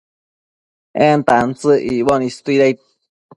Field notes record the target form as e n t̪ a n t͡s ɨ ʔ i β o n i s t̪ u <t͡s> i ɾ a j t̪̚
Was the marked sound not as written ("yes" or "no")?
yes